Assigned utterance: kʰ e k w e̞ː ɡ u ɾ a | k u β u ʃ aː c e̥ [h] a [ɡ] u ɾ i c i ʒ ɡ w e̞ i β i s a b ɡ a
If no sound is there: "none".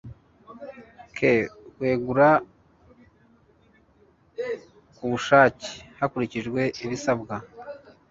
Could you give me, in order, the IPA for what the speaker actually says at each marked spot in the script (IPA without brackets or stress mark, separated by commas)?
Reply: h, k